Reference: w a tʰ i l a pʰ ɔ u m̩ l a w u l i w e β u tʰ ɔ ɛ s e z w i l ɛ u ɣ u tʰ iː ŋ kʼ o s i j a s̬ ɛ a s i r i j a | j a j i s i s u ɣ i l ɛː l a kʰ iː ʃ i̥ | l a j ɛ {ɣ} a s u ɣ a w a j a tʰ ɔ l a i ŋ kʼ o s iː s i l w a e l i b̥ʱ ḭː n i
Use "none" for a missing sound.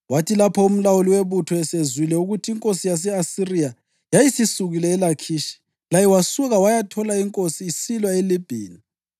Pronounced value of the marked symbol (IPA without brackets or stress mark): w